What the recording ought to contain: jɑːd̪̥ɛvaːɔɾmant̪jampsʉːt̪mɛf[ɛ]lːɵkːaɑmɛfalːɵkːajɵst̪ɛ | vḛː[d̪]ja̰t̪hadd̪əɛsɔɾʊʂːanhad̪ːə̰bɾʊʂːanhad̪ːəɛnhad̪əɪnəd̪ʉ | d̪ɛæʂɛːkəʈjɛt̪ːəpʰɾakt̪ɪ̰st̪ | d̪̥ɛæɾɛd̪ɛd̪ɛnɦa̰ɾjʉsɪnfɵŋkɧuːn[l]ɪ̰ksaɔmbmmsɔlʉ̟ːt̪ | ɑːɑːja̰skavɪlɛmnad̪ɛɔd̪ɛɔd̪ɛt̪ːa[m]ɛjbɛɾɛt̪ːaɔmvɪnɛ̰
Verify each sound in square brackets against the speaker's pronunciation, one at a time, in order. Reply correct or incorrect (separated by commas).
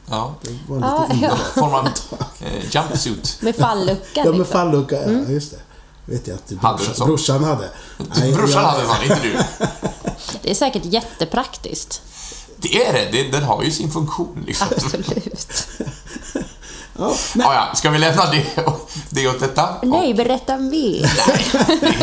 incorrect, incorrect, correct, incorrect